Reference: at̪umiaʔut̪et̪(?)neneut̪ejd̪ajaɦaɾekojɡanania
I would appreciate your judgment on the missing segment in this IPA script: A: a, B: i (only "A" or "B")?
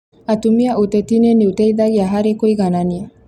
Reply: B